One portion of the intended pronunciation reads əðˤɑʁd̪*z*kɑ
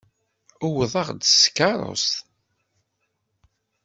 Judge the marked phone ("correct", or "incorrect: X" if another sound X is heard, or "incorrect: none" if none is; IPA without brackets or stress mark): incorrect: s